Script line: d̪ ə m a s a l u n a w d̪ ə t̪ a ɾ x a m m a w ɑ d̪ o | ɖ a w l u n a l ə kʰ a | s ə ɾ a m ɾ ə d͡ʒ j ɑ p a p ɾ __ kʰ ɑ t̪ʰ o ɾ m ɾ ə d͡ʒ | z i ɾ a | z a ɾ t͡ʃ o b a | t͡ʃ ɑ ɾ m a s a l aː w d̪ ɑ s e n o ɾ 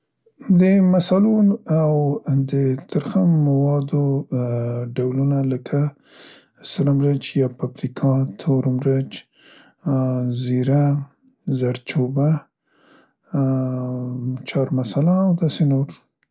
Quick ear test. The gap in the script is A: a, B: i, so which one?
B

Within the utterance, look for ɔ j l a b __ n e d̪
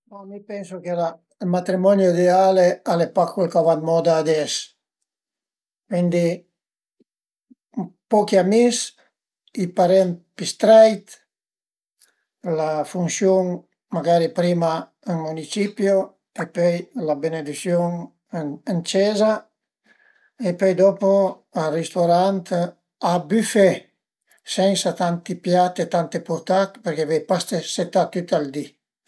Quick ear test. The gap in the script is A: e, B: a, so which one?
A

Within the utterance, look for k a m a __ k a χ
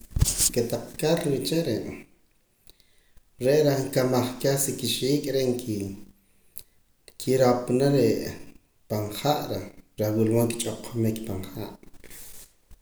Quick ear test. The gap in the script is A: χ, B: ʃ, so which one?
A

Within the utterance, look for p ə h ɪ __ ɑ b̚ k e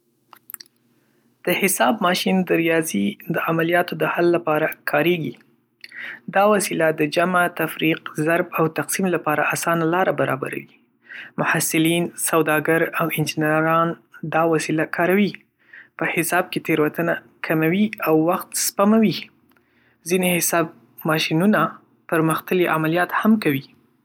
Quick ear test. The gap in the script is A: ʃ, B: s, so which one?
B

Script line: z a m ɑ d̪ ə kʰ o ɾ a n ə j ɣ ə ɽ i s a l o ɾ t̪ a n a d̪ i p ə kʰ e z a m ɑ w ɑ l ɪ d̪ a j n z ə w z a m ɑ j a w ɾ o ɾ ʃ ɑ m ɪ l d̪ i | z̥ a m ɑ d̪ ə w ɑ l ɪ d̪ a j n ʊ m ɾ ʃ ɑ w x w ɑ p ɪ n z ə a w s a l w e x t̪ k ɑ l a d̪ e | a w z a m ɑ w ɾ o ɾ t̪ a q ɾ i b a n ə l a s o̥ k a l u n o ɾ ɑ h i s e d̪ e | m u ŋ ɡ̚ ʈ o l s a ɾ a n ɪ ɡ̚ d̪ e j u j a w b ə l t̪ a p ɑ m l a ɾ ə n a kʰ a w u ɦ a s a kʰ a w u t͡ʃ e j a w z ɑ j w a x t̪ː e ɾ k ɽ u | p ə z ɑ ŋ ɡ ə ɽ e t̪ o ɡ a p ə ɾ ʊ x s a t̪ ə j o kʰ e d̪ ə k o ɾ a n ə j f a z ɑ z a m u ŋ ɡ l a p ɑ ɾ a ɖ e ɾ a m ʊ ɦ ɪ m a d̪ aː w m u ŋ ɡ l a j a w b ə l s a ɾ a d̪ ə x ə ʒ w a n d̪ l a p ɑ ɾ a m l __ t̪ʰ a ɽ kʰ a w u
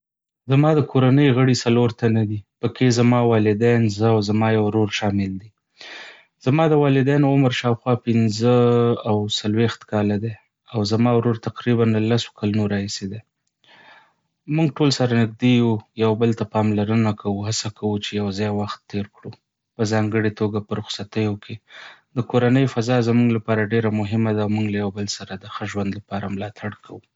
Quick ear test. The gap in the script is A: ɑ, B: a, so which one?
A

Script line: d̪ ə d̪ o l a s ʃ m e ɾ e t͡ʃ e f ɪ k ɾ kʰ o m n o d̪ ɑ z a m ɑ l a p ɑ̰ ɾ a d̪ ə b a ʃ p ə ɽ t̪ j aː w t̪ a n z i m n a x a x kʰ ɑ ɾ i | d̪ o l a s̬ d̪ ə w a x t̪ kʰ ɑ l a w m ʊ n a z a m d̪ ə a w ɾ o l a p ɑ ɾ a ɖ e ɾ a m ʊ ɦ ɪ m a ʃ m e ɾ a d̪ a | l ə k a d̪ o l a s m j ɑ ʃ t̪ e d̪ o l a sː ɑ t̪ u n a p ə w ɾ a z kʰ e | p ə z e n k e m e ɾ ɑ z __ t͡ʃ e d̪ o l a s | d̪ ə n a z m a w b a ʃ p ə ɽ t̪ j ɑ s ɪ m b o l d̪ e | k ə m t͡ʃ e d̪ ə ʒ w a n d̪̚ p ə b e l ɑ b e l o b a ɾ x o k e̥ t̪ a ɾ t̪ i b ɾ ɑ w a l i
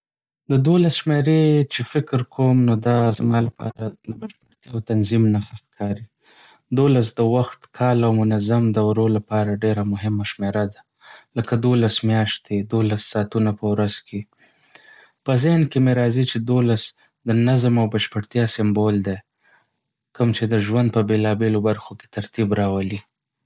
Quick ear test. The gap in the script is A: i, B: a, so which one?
A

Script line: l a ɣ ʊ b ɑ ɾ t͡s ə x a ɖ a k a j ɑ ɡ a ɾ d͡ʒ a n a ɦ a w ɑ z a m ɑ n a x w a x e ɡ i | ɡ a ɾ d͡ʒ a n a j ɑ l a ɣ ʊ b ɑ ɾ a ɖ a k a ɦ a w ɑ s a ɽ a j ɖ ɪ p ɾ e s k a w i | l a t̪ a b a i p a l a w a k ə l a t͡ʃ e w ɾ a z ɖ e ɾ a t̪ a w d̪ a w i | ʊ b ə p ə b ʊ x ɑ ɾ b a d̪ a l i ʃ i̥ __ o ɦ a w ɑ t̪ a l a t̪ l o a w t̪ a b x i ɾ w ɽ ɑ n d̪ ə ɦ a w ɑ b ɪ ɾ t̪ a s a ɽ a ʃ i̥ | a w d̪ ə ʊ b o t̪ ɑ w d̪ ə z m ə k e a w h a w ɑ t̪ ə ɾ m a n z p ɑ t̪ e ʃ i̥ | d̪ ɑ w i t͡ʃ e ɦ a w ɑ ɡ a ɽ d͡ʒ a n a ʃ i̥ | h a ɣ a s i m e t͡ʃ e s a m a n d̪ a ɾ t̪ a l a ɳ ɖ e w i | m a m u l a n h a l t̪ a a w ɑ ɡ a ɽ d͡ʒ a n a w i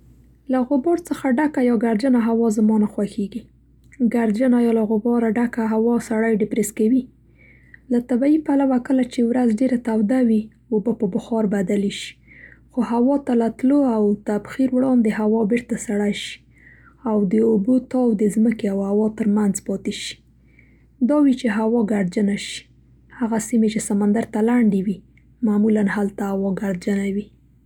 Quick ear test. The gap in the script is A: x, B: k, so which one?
A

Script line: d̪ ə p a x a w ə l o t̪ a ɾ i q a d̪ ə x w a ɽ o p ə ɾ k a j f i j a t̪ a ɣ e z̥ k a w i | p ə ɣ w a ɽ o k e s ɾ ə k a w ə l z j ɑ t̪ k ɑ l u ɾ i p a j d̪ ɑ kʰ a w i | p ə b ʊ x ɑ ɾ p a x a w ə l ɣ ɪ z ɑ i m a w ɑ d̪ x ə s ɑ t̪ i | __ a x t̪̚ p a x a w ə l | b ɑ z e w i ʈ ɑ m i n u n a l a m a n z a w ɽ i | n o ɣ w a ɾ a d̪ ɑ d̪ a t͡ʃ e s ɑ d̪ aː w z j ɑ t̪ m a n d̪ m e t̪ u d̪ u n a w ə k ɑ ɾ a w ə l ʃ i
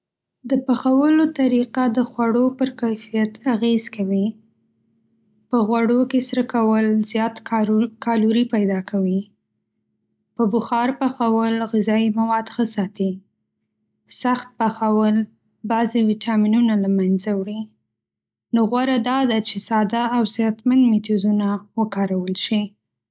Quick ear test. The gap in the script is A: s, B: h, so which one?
A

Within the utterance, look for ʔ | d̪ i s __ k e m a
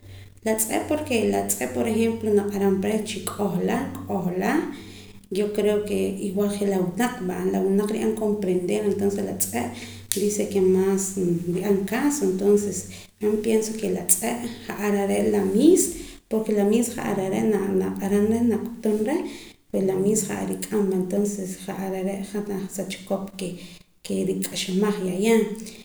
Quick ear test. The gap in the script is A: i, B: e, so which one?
B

